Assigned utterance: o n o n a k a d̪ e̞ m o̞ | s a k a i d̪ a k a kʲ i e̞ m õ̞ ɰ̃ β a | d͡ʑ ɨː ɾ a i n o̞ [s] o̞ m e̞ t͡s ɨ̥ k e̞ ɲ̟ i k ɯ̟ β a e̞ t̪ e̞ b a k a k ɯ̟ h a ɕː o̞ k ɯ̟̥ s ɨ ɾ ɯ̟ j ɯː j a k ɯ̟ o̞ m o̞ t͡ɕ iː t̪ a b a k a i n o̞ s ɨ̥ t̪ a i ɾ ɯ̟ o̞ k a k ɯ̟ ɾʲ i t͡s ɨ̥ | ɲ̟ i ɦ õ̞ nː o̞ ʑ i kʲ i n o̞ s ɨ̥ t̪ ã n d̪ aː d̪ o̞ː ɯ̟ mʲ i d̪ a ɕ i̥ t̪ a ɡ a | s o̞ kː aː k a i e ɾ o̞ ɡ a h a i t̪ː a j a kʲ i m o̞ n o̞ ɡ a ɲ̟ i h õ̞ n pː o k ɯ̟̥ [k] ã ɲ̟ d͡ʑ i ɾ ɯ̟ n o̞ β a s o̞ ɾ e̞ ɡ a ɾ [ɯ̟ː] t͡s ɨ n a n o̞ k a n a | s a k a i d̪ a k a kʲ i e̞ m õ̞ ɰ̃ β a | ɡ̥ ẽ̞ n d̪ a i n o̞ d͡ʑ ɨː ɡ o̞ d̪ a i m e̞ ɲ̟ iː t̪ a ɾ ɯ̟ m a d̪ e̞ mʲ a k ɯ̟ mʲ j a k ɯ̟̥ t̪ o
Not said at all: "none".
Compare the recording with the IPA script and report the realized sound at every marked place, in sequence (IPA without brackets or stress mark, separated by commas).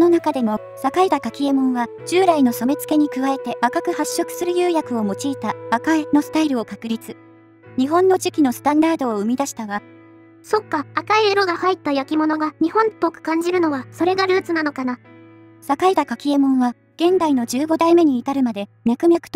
s, k, ɯ̟ː